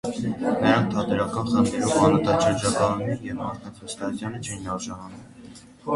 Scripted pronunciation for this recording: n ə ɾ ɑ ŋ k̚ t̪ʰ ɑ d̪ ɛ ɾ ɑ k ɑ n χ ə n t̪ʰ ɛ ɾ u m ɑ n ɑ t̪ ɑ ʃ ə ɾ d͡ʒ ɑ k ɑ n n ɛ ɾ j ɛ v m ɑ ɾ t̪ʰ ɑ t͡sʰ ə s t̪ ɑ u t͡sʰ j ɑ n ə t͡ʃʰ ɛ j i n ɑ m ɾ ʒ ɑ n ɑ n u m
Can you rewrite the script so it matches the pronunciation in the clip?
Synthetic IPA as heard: n ə ɾ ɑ ŋ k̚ t̪ʰ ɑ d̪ ɛ ɾ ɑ k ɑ n χ ə n t̪ʰ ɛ ɾ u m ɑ n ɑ t̪ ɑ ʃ ə ɾ d͡ʒ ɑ k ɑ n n ɛ ɾ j ɛ v m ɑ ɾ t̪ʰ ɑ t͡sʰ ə s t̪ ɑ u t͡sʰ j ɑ n ə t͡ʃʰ ɛ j i n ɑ ɾ ʒ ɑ n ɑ n u m

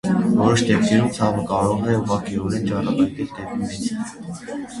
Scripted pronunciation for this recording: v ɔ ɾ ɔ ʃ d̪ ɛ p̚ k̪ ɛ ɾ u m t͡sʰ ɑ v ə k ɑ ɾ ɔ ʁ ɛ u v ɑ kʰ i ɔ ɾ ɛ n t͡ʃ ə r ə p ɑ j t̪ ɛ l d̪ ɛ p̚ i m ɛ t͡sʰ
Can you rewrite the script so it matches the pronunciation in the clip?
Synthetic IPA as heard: v ɔ ɾ ɔ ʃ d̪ ɛ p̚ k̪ ɛ ɾ u m t͡sʰ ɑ v ə k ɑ ɾ ɔ ʁ ɛ u ʁ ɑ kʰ i ɔ ɾ ɛ n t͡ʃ ɑ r ɑ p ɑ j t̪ ɛ l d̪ ɛ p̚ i m ɛ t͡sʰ

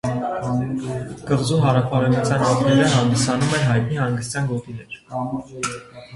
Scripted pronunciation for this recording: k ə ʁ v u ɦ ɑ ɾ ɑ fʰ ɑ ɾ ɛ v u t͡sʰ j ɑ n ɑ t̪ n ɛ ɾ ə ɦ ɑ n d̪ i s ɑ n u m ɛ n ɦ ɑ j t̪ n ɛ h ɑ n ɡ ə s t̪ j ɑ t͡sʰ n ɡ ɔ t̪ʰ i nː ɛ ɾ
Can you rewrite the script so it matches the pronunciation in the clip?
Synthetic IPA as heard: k ə ʁ z u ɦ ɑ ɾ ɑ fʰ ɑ ɾ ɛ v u t͡sʰ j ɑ n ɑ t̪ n ɛ ɾ ə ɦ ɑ n d̪ i s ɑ n u m ɛ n ɦ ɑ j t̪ n i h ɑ ŋ ɡ ə s t̪ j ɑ n ɡ ɔ t̪ i n ɛ ɾ

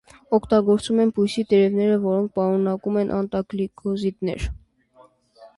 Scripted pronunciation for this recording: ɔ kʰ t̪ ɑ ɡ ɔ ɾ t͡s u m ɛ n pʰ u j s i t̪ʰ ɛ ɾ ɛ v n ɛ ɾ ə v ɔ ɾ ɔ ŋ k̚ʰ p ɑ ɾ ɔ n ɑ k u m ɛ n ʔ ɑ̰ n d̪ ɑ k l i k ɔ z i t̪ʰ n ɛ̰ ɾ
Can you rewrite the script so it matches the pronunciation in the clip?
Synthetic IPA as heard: ɔ kʰ t̪ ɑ ɡ ɔ ɾ t͡s u m ɛ n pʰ u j s i t̪ ɛ ɾ ɛ v n ɛ ɾ ə v ɔ ɾ ɔ ŋ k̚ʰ p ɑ ɾ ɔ n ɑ k u m ɛ n ʔ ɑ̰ n t̪ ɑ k l i k ɔ z i t̪ n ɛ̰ ɾ

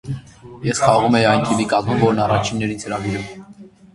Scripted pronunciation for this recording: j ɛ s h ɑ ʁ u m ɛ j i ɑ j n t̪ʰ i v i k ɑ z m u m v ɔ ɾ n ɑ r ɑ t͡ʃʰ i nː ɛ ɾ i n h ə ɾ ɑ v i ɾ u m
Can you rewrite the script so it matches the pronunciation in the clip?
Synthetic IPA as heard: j ɛ s χ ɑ ʁ u m ɛ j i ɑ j n t̪ʰ i v i k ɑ z m u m v ɔ ɾ n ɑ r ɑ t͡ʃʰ i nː ɛ ɾ i n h ə ɾ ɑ v i ɾ u m

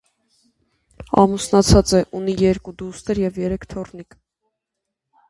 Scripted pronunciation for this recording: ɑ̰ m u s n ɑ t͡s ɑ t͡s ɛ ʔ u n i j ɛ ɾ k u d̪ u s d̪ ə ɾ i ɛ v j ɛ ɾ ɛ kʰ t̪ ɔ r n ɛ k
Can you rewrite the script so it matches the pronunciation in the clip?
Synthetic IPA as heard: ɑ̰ m u s n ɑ t͡sʰ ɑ t͡s ɛ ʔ u n i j ɛ ɾ k u d̪ u s t̪ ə ɾ j ɛ v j ɛ ɾ ɛ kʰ t̪ʰ ɔ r n i k

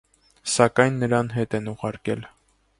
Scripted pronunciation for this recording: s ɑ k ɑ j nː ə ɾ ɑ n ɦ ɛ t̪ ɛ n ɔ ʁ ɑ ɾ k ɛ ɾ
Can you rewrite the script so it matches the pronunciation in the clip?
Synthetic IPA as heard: s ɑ k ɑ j nː ə ɾ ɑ n ɦ ɛ t̪ ɛ n u ʁ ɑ ɾ k ɛ l

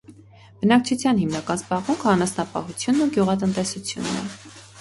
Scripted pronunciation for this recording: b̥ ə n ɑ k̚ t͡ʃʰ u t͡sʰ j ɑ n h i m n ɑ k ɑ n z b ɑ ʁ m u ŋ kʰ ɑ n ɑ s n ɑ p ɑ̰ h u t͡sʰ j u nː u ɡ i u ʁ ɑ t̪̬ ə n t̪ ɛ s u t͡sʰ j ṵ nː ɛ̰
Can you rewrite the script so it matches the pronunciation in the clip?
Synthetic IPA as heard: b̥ ə n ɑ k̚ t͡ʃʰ u t͡sʰ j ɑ n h i m n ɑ k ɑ n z b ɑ ʁ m u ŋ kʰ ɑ n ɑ s n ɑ p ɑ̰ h u t͡sʰ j u nː u ɡ j u ʁ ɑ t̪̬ ə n t̪ ɛ s u t͡sʰ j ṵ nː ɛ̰

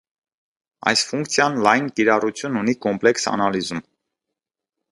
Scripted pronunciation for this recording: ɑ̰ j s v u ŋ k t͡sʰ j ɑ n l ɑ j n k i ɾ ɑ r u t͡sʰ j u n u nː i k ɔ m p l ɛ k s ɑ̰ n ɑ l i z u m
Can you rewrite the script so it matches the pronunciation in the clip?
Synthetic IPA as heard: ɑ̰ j s f u ŋ k t͡sʰ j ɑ n l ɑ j n k i ɾ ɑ r u t͡sʰ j u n u n i k ɔ m p l ɛ k s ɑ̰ n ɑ l i z u m

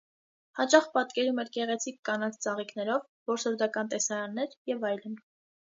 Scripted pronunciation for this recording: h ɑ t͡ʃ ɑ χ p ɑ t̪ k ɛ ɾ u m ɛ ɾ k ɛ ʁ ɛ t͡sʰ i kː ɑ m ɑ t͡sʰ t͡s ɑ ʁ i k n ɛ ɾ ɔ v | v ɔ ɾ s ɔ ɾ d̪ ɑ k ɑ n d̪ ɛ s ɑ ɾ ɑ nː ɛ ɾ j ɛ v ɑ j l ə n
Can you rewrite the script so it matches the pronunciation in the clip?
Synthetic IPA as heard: h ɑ t͡ʃ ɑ χ p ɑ t̪ k ɛ ɾ u m ɛ ɾ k ɛ ʁ ɛ t͡sʰ i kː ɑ n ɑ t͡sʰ t͡s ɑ ʁ i k n ɛ ɾ ɔ v | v ɔ ɾ s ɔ ɾ d̪ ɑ k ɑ n t̪ ɛ s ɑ ɾ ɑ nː ɛ ɾ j ɛ v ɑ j l ə n

